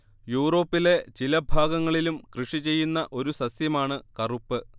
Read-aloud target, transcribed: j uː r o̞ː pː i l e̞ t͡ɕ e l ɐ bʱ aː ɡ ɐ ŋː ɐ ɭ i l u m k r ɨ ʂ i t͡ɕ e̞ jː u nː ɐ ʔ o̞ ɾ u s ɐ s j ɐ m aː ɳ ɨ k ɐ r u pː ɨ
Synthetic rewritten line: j uː r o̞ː pː i l e̞ t͡ɕ i l ɐ bʱ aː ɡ ɐ ŋː ɐ ɭ i l u m k r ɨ ʂ i t͡ɕ e̞ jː u nː ɐ ʔ o̞ ɾ u s ɐ s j ɐ m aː ɳ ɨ k ɐ r u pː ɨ